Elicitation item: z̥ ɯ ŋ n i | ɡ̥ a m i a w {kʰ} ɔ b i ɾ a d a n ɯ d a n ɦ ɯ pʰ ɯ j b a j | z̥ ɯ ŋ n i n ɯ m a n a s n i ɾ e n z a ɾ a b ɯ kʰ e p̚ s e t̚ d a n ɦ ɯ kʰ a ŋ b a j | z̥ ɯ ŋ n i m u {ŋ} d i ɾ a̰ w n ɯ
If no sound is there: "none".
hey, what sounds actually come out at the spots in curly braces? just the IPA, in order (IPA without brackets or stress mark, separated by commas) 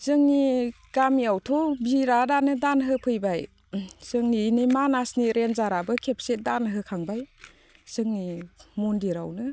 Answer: tʰ, n